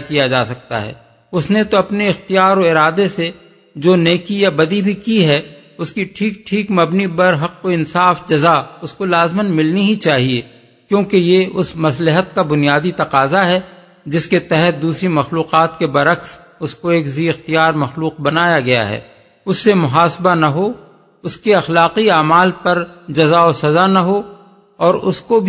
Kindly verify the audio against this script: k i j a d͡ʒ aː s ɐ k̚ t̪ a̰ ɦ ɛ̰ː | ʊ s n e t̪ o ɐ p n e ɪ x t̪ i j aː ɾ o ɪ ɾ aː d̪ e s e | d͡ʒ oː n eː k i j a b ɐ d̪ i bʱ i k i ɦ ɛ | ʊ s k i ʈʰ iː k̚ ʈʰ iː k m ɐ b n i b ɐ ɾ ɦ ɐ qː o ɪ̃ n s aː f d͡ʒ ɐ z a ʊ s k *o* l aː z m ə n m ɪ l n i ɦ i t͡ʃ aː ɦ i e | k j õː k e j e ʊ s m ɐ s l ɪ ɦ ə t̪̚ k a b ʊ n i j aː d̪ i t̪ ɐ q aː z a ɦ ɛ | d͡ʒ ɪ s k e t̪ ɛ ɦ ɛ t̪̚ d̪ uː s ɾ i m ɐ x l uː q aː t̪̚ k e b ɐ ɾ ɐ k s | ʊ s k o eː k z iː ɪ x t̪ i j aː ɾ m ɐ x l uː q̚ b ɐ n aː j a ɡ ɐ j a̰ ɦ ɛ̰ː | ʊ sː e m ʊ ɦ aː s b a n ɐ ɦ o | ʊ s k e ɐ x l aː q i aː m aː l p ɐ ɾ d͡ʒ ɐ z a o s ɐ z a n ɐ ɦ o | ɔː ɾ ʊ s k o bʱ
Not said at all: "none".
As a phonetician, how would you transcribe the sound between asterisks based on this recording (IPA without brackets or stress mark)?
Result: o